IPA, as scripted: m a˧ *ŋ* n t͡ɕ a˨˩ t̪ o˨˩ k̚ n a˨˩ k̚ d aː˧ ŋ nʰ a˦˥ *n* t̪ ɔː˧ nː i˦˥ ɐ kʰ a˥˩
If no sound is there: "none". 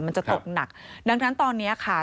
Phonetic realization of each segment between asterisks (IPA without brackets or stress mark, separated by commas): none, n